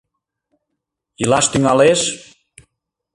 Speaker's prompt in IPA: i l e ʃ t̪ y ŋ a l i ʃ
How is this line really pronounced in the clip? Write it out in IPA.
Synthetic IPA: i l a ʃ t̪ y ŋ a l e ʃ